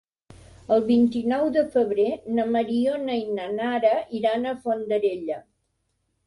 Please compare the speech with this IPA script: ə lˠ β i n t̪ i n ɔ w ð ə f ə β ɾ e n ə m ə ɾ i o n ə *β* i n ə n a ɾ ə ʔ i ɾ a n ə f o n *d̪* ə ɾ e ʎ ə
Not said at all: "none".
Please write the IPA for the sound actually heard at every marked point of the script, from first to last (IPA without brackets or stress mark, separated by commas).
none, d̪